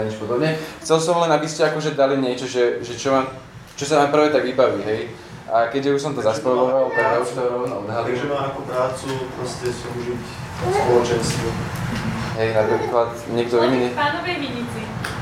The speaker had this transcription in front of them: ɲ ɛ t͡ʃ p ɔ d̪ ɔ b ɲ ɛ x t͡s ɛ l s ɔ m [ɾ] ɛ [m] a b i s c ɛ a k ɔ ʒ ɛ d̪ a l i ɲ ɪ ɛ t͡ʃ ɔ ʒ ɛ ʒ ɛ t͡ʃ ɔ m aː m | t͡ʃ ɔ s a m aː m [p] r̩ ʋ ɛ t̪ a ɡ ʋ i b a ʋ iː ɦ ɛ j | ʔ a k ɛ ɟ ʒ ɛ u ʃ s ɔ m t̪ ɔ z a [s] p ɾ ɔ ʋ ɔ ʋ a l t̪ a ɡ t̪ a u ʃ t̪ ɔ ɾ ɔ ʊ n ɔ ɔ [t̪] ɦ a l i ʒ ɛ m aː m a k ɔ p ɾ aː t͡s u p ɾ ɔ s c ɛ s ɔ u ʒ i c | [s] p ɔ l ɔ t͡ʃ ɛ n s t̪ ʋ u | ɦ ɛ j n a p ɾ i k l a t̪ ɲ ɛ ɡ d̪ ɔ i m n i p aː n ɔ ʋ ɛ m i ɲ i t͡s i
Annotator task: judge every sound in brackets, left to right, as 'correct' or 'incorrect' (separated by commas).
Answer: incorrect, incorrect, correct, correct, incorrect, correct